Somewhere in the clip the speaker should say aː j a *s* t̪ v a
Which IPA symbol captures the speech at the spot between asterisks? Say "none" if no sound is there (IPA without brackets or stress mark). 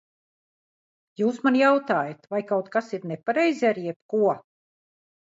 none